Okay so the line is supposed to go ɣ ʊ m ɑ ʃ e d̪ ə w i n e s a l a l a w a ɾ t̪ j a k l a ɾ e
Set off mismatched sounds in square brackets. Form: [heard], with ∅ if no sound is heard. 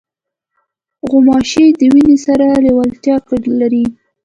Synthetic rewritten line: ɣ ʊ m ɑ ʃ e d̪ ə w i n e s a [ɾ] a l [e] w a [l] t̪ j [ɑ] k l a ɾ [i]